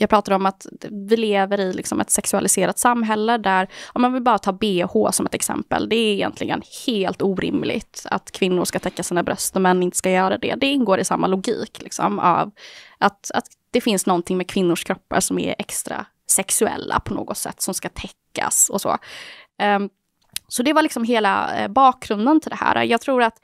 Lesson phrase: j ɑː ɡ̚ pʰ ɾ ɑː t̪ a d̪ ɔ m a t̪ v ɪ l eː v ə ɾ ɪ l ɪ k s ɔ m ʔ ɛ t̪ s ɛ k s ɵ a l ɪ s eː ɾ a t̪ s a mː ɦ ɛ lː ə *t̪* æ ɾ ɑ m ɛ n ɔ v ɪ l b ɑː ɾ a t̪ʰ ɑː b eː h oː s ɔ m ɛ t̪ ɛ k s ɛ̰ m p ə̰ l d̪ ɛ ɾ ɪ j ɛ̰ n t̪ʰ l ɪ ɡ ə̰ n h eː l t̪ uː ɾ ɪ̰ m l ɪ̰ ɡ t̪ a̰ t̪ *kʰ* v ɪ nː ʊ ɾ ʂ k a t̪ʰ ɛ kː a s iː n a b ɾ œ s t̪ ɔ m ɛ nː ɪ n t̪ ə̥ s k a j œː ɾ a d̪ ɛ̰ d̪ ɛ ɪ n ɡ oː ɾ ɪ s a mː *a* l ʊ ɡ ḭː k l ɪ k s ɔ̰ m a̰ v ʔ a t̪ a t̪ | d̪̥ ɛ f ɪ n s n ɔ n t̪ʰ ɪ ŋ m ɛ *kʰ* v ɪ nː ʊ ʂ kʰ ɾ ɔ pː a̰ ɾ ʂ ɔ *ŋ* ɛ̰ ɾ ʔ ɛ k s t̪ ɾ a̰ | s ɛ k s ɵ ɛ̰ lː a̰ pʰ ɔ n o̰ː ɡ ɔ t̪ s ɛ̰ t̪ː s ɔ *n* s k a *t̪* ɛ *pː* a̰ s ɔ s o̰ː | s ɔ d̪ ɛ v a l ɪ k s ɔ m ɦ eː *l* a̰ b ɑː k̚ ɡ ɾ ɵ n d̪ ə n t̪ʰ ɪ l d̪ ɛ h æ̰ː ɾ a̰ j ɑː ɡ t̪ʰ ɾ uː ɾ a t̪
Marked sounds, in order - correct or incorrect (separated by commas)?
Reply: incorrect, correct, correct, correct, incorrect, incorrect, incorrect, incorrect, correct